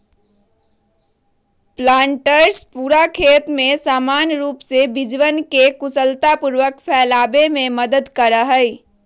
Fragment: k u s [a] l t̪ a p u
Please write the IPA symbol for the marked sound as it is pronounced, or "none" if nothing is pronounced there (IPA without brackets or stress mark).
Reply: ə